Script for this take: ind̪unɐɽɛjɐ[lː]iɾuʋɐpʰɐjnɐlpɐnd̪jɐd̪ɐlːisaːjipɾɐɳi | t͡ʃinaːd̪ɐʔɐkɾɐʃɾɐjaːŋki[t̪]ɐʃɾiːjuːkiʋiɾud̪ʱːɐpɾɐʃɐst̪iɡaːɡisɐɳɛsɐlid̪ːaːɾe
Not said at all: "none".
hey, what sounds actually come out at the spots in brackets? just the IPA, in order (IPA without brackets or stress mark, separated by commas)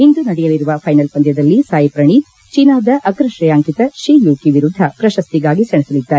l, t̪